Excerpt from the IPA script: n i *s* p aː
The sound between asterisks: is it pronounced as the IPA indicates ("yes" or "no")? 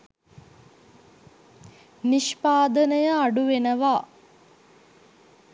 no